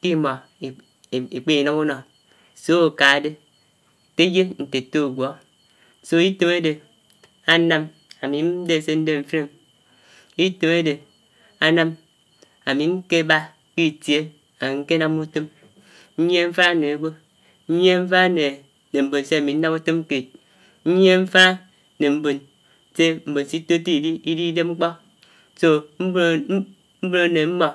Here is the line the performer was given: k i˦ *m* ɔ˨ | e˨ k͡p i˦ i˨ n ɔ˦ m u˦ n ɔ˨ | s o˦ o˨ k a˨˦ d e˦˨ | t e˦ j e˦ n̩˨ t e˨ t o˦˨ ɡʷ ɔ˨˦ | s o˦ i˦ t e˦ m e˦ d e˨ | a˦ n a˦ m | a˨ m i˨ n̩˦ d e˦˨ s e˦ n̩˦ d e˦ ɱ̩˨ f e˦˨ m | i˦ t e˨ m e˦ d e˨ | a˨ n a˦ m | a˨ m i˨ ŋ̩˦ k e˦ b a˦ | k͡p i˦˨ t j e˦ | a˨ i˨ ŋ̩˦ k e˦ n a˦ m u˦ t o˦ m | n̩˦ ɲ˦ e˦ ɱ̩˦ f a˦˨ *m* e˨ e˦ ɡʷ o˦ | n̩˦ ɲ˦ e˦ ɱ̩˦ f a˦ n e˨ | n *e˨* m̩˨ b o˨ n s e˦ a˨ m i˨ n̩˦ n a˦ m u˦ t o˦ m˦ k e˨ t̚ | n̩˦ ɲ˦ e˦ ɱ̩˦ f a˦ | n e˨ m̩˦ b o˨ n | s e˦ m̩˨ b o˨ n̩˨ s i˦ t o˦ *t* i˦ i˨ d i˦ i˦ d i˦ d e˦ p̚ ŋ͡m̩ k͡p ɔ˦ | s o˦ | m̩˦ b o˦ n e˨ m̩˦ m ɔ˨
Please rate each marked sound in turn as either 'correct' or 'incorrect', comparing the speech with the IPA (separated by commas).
correct, incorrect, correct, correct